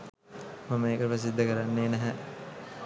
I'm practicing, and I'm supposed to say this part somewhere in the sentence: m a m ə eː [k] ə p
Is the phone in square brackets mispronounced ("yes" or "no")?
no